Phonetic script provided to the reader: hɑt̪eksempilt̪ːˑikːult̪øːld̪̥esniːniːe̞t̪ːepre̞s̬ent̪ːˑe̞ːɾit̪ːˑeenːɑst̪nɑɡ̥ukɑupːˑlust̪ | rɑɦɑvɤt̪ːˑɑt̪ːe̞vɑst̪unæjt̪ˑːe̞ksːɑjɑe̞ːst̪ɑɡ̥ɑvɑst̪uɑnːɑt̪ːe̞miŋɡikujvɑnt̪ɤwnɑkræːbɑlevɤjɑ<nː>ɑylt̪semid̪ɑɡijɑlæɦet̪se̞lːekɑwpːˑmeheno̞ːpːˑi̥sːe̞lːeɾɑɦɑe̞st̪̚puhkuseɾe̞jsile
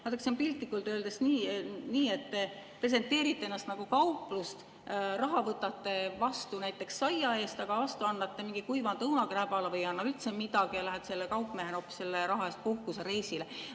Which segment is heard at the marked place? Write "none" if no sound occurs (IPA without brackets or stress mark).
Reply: nː